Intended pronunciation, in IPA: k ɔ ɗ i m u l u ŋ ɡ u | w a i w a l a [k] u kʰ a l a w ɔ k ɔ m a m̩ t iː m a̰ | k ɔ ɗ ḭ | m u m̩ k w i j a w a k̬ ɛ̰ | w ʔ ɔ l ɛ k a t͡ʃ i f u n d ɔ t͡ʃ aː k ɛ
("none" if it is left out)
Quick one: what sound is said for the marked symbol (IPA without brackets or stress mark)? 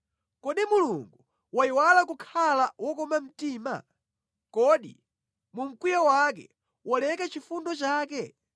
k